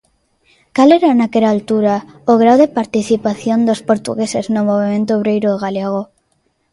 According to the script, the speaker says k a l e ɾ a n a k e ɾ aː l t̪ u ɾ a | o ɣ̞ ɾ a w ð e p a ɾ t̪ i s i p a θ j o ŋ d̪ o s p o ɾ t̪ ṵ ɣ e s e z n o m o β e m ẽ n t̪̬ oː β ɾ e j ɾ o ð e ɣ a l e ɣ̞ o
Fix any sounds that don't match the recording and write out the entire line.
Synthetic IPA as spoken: k a l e ɾ a n a k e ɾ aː l t̪ u ɾ a | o ɣ̞ ɾ a w ð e p a ɾ t̪ i θ i p a θ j o n d̪ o s p o ɾ t̪ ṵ ɣ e s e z n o m o β e m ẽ n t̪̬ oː β ɾ e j ɾ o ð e ɣ a l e ɣ̞ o